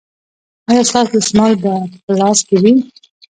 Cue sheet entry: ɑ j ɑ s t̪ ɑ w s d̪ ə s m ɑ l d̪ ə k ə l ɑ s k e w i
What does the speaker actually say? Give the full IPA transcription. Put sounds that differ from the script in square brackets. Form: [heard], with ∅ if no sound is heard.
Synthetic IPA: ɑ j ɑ s t̪ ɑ [∅] s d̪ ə s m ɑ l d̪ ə [p] ə l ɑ s k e w i